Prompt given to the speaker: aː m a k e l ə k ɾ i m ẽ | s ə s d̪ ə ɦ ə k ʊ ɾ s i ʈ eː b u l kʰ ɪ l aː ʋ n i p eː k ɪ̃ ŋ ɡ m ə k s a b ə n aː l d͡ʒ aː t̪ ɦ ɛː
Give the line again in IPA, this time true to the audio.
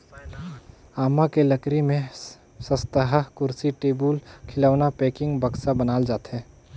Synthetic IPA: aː m a k e l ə k ɾ i m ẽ | s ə s t̪ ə ɦ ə k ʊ ɾ s i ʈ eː b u l kʰ ɪ l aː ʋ n a p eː k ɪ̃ ŋ ɡ b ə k s a b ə n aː l d͡ʒ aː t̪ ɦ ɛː

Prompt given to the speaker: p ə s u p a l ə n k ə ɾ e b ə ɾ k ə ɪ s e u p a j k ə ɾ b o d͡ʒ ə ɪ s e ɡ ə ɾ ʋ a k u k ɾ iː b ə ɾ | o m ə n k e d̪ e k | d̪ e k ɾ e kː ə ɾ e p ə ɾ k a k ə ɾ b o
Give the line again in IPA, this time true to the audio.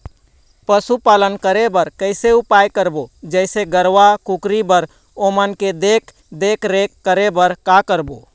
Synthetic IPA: p ə s u p a l ə n k ə ɾ e b ə ɾ k ə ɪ s e u p a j k ə ɾ b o d͡ʒ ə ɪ s e ɡ ə ɾ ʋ a k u k ɾ i b ə ɾ | o m ə n k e d̪ e k | d̪ e k ɾ e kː ə ɾ e b ə ɾ k a k ə ɾ b o

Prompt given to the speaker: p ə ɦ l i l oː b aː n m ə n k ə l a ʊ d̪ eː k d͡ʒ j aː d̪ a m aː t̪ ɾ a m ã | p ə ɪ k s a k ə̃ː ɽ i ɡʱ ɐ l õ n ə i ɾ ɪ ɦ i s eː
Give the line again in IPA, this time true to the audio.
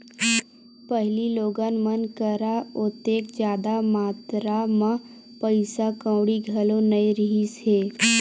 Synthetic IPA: p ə ɦ l i l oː ɡ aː n m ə n k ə ɾ a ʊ t̪ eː k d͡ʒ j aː d̪ a m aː t̪ ɾ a m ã | p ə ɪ s a k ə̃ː ɽ i ɡʱ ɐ l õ n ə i ɾ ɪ ɦ i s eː

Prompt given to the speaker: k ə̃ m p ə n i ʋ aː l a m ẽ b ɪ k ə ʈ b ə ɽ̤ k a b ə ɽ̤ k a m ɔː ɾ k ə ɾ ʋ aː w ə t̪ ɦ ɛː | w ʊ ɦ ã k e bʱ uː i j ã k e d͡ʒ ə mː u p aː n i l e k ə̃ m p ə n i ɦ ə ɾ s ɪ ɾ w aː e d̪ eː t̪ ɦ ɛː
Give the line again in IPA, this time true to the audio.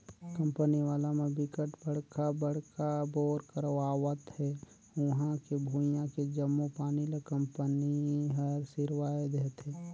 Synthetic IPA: k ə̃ m p ə n i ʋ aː l a m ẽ b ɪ k ə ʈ b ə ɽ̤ k a b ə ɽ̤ k a b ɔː ɾ k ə ɾ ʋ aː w ə t̪ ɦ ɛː | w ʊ ɦ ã k e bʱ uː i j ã k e d͡ʒ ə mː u p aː n i l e k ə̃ m p ə n i ɦ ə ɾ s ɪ ɾ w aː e d̪ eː t̪ ɦ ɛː

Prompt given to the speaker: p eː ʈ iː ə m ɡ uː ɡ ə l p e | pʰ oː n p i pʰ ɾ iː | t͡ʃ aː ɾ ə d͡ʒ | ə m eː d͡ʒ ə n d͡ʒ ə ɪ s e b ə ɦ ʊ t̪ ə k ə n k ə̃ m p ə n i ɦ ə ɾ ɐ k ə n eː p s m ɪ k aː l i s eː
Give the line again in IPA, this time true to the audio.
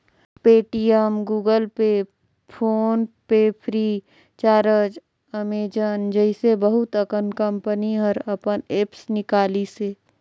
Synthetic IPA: p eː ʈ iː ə m ɡ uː ɡ ə l p e | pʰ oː n p e pʰ ɾ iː | t͡ʃ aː ɾ ə d͡ʒ | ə m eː d͡ʒ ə n d͡ʒ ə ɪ s e b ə ɦ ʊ t̪ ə k ə n k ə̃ m p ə n i ɦ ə ɾ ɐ p ə n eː p s n ɪ k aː l i s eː

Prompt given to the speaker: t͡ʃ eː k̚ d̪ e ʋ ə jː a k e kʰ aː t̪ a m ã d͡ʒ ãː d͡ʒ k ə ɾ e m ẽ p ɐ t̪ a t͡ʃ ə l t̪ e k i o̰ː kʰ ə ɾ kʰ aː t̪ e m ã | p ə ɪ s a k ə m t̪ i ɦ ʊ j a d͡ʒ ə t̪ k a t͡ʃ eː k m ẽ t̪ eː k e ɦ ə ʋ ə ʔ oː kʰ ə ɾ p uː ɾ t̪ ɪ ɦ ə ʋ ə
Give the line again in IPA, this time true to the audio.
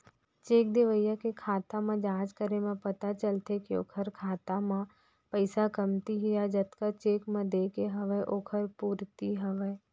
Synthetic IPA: t͡ʃ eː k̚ d̪ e ʋ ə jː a k e kʰ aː t̪ a m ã d͡ʒ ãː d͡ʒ k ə ɾ e m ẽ p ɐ t̪ a t͡ʃ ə l t̪ e k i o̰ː kʰ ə ɾ kʰ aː t̪ a m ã | p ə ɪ s a k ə m t̪ i ɦ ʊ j a d͡ʒ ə t̪ k a t͡ʃ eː k m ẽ d̪ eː k e ɦ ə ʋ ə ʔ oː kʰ ə ɾ p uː ɾ t̪ i ɦ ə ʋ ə

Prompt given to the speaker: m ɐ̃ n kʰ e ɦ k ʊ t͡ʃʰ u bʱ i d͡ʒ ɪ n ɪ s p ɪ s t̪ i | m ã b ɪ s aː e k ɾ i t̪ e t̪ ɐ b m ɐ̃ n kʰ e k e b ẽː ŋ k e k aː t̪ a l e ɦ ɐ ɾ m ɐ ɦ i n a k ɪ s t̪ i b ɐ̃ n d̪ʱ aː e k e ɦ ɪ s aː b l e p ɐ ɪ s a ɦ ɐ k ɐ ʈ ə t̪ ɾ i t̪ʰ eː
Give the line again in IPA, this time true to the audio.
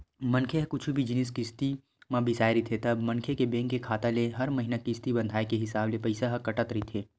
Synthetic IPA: m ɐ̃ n kʰ e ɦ k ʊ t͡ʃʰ u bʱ i d͡ʒ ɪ n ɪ s k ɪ s t̪ i | m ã b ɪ s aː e ɾ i t̪ʰ e t̪ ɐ b m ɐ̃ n kʰ e k e b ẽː ŋ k e kʰ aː t̪ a l e ɦ ɐ ɾ m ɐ ɦ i n a k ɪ s t̪ i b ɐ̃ n d̪ʱ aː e k e ɦ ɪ s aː b l e p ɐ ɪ s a ɦ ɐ k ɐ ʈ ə t̪ ɾ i t̪ʰ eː

